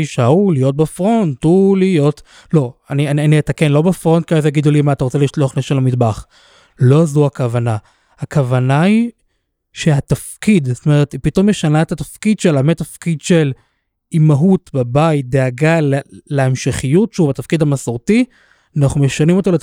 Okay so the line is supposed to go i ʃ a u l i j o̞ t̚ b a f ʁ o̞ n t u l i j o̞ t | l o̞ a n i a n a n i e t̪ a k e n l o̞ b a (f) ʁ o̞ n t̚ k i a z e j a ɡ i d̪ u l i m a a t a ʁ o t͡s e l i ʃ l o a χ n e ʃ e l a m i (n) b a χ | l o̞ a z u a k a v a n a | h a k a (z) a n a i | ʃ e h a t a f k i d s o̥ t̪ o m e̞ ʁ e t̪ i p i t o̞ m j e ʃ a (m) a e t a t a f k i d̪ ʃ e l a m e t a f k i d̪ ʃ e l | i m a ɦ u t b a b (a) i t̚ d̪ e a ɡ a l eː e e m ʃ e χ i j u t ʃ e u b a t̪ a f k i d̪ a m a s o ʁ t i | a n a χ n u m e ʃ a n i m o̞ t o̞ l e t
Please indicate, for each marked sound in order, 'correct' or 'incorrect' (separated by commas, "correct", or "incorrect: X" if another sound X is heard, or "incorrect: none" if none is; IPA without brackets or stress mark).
correct, incorrect: d, incorrect: v, incorrect: n, correct